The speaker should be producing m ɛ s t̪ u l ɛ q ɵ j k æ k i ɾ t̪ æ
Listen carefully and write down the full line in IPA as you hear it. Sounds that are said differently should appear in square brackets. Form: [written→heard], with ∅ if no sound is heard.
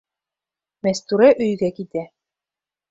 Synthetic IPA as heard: m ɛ s t̪ u [l→ɾ] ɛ [q→ʔ] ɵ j [k→ɡ] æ k i [ɾ→∅] t̪ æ

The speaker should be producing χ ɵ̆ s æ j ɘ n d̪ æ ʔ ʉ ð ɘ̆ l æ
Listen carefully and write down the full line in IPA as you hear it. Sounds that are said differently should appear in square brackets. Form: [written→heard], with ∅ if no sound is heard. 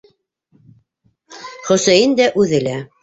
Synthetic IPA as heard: χ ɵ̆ s æ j ɘ n d̪ æ ʔ ʉ ð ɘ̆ l æ

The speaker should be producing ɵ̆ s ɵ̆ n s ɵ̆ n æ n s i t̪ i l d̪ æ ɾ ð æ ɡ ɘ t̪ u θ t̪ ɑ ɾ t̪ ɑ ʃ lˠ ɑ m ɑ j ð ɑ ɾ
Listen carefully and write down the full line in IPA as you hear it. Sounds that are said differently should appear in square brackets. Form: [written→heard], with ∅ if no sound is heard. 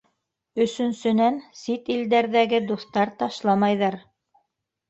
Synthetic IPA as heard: ɵ̆ s ɵ̆ n s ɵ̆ n æ n s i t̪ i l d̪ æ ɾ ð æ ɡ ɘ [t̪→d̪] u θ t̪ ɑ ɾ t̪ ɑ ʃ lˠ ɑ m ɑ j ð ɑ ɾ

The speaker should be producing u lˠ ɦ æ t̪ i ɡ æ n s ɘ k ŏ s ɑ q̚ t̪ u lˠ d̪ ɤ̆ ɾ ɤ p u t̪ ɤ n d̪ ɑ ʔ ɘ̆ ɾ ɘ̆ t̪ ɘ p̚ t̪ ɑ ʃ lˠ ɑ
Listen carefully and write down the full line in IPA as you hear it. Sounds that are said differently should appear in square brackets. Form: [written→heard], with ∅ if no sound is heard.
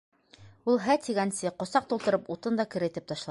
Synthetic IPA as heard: u lˠ ɦ æ t̪ i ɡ æ n s ɘ [k→q] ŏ s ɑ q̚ t̪ u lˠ [d̪→t̪] ɤ̆ ɾ ɤ p u t̪ ɤ n d̪ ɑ [ʔ→k] ɘ̆ ɾ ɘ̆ t̪ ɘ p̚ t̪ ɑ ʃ lˠ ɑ

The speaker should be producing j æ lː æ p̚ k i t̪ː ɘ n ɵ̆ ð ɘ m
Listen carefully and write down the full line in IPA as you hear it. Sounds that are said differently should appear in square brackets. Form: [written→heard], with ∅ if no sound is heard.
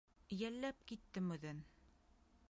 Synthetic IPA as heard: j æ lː æ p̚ k i t̪ː ɘ [n→m] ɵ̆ ð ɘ [m→n]

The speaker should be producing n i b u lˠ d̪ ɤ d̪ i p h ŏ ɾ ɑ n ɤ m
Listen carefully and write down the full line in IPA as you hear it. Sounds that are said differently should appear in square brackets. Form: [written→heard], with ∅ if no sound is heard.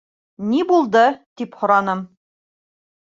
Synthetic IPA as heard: n i b u lˠ d̪ ɤ [d̪→t̪] i p h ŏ ɾ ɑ n ɤ m

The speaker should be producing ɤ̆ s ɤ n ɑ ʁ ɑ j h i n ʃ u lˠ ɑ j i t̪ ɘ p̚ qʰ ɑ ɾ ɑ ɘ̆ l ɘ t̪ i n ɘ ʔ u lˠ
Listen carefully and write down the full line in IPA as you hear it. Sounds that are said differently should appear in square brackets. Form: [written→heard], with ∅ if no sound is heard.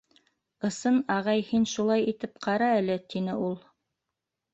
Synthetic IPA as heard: ɤ̆ s ɤ n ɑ ʁ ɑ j h i n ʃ u lˠ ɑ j i t̪ ɘ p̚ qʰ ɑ ɾ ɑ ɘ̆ l ɘ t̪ i n ɘ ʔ u lˠ

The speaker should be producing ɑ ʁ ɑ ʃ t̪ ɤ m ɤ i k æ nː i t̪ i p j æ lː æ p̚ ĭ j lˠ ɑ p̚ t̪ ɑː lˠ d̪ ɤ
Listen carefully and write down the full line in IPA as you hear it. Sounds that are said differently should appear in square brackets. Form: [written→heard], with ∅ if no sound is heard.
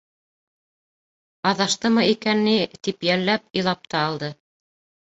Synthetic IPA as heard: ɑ [ʁ→ð] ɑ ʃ t̪ ɤ m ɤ i k æ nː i t̪ i p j æ lː æ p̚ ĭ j lˠ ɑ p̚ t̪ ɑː lˠ d̪ ɤ

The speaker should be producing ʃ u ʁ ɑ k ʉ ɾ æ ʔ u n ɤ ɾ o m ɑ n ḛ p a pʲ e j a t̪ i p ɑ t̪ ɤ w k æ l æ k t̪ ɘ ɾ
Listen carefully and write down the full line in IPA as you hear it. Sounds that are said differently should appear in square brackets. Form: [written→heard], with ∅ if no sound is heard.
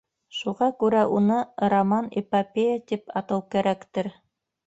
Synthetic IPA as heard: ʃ u ʁ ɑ k ʉ ɾ æ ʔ u n ɤ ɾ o m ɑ n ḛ p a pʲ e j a t̪ i p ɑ t̪ ɤ w k æ [l→ɾ] æ k t̪ ɘ ɾ

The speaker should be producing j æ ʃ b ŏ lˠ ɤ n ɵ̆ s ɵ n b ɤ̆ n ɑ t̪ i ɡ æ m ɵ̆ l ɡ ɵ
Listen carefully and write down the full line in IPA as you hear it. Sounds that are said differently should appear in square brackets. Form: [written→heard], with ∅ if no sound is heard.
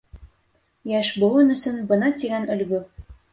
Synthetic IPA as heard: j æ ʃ b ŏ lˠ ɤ n ɵ̆ s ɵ n b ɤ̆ n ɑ t̪ i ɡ æ [m→n] ɵ̆ l ɡ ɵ

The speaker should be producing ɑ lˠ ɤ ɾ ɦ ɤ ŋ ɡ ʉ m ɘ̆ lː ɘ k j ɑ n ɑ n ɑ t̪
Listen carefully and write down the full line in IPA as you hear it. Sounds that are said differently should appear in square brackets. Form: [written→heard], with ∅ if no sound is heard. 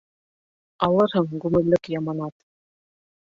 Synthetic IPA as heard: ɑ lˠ ɤ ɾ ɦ ɤ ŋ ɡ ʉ m ɘ̆ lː ɘ k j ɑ [n→m] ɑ n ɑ t̪

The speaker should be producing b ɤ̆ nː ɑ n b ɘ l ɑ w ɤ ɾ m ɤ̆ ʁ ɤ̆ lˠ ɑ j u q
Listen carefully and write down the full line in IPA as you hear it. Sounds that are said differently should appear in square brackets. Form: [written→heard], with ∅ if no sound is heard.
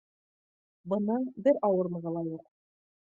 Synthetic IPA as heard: b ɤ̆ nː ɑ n b ɘ [l→ɾ] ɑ w ɤ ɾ m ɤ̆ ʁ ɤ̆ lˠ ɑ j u q

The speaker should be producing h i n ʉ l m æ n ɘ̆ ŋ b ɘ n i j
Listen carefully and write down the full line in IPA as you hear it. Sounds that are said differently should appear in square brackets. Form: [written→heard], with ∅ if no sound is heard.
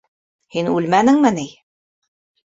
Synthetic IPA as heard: h i n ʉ l m æ n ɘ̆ ŋ [b→m] ɘ n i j

